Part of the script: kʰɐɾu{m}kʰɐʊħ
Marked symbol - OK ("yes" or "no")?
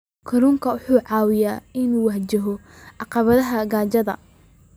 no